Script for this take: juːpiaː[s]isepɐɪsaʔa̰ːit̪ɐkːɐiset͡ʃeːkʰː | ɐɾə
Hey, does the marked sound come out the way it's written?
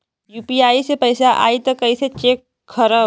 no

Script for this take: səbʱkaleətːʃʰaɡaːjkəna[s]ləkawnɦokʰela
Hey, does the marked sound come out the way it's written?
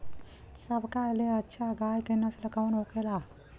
yes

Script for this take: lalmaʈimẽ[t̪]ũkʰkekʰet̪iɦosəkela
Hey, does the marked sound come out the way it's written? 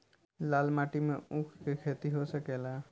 no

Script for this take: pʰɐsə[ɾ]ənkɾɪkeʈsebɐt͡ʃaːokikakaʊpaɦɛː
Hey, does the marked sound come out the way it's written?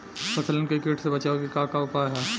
no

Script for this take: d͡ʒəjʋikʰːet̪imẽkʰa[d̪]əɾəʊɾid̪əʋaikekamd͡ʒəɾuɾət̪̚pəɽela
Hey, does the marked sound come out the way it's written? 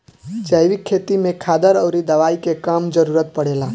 yes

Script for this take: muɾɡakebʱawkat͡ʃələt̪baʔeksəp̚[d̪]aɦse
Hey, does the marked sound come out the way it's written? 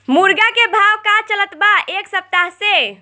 no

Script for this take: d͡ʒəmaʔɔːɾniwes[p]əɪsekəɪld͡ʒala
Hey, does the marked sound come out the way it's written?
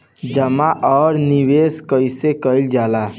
no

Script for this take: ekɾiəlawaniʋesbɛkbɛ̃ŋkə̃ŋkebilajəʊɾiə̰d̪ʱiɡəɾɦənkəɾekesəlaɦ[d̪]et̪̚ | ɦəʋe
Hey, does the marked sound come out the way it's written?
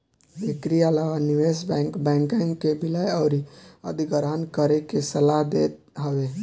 yes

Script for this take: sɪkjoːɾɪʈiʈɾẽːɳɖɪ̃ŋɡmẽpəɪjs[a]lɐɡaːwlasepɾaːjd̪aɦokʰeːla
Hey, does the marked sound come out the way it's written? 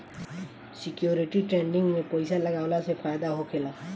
yes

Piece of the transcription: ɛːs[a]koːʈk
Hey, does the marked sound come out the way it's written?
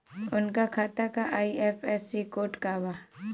no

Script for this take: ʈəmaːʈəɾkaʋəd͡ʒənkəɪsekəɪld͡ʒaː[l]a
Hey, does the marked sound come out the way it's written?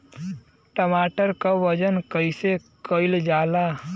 yes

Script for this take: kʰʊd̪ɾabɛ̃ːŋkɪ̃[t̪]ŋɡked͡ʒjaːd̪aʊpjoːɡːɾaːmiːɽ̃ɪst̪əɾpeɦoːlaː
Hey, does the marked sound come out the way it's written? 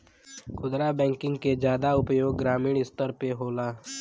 no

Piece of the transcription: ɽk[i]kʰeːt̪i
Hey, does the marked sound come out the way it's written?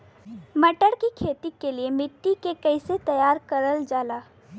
yes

